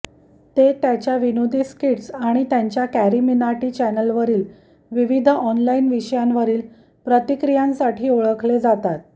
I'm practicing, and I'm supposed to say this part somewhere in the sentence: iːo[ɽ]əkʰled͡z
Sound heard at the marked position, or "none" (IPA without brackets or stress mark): ɭ